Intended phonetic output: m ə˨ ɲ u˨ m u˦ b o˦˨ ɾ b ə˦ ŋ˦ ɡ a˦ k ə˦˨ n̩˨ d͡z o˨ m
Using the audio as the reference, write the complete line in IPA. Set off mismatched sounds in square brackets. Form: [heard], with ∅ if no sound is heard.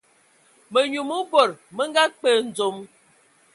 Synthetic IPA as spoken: m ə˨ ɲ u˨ m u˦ b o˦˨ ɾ [m] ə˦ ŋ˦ ɡ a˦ [k͡p] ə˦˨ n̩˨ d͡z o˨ m